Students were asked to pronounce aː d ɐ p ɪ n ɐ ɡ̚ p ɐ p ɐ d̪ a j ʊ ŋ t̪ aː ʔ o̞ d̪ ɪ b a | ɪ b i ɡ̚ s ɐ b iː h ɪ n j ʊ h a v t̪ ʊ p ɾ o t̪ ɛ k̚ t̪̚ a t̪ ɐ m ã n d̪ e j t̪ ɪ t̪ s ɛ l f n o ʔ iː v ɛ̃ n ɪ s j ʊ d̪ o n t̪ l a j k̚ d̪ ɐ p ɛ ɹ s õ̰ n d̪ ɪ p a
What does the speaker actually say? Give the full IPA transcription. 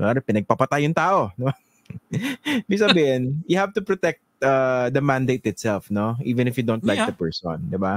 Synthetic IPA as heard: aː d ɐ p ɪ n ɐ ɡ̚ p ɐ p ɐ t̪ a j ʊ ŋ t̪ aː ʔ o̞ d̪ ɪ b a | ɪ b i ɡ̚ s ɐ b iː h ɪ n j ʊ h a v t̪ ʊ p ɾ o t̪ ɛ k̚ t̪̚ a d̪ ɐ m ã n d̪ e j t̪ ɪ t̪ s ɛ l f n o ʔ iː v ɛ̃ n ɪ f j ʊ d̪ o n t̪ l a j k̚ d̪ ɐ p ɛ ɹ s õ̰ n d̪ ɪ b a